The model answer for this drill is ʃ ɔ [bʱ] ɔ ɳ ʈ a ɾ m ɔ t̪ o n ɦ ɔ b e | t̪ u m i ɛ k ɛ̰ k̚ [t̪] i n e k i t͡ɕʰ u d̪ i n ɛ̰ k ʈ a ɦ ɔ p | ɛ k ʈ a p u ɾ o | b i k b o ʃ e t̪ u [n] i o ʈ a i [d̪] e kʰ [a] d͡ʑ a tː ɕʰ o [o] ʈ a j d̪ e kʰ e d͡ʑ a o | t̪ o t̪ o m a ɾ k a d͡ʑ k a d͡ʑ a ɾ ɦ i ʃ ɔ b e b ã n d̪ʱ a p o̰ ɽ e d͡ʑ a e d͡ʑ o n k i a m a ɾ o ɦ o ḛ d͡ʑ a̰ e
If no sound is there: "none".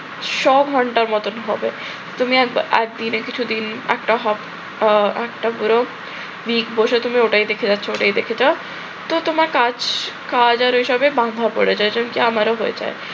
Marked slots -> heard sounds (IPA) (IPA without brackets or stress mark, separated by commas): ɡʱ, d̪, m, d̪, e, o